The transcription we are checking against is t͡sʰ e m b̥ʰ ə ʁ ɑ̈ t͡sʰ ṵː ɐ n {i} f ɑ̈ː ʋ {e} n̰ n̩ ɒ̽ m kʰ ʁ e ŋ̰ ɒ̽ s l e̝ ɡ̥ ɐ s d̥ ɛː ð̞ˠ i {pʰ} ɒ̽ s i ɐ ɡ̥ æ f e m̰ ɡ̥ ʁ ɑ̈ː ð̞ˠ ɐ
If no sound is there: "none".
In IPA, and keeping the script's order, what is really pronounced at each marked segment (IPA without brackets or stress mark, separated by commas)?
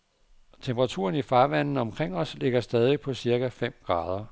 i, æ, pʰ